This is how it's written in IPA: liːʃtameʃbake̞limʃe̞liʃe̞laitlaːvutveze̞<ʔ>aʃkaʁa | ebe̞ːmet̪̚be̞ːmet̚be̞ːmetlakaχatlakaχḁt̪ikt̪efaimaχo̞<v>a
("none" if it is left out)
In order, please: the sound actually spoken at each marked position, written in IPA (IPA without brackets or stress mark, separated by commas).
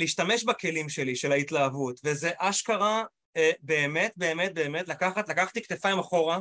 ʔ, ʁ